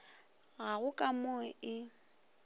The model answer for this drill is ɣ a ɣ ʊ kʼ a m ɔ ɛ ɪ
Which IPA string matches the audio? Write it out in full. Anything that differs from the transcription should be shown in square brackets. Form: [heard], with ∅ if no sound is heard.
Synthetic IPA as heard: ɣ a ɣ ʊ kʼ a m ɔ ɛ ɪ